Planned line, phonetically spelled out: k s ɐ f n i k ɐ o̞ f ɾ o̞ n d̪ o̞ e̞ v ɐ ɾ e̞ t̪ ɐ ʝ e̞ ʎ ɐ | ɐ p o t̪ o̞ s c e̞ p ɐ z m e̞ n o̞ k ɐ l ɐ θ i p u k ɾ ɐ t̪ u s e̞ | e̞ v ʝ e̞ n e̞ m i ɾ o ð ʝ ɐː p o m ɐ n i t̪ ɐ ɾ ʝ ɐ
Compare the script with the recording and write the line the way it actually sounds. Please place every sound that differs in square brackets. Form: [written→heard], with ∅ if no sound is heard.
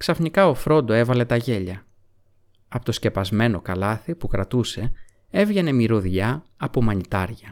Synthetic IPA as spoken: k s ɐ f n i k ɐ o̞ f ɾ o̞ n d̪ o̞ e̞ v ɐ [ɾ→l] e̞ t̪ ɐ ʝ e̞ ʎ ɐ | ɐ p o t̪ o̞ s c e̞ p ɐ z m e̞ n o̞ k ɐ l ɐ θ i p u k ɾ ɐ t̪ u s e̞ | e̞ v ʝ e̞ n e̞ m i ɾ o ð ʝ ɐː p o m ɐ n i t̪ ɐ ɾ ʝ ɐ